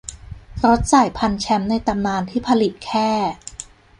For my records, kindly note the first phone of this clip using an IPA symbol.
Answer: ɾ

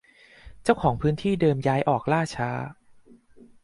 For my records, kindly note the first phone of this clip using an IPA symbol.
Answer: t͡ɕ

